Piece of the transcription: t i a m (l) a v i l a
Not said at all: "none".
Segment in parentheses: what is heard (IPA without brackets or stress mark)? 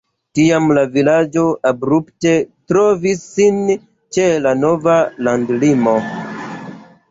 l